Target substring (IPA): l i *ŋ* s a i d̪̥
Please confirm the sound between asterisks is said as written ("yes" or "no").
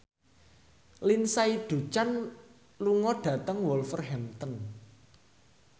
no